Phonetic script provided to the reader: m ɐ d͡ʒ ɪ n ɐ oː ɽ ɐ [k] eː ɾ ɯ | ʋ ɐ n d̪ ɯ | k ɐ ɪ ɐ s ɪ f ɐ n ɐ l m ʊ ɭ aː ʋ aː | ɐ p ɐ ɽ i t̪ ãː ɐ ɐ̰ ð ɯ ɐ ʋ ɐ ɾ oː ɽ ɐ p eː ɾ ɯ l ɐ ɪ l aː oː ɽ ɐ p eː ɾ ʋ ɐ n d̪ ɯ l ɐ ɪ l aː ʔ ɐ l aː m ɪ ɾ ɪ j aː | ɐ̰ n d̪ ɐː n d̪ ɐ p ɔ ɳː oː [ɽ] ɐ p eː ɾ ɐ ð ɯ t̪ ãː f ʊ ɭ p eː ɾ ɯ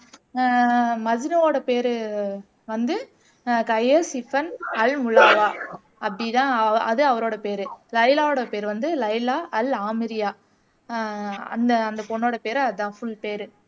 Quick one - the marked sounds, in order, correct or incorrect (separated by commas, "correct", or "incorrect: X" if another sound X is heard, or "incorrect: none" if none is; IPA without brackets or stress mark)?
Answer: incorrect: p, correct